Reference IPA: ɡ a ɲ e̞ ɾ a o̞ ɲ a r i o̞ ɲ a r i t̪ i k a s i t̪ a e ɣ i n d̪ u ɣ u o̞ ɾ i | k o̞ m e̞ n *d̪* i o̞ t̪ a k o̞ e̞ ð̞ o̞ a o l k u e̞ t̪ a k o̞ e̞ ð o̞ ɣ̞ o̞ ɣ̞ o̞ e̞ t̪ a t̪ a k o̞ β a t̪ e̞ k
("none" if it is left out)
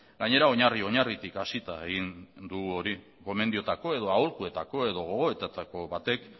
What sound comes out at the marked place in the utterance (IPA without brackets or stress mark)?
d̪